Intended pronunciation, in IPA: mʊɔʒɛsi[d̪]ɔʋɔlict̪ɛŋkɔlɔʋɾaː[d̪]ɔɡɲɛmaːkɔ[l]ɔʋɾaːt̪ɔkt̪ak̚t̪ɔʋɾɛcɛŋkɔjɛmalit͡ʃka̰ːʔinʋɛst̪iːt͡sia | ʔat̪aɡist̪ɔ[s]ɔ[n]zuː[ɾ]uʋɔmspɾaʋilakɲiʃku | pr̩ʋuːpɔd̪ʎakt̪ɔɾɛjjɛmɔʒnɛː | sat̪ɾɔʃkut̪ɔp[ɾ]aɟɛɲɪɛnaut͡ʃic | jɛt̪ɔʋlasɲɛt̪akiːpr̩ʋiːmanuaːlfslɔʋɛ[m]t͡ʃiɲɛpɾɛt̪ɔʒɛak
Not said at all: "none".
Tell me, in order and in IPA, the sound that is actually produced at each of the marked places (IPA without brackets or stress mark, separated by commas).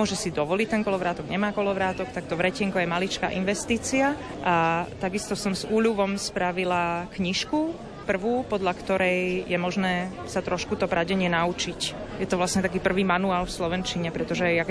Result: d̪, t̪, l, s, m, ʎ, ɾ, n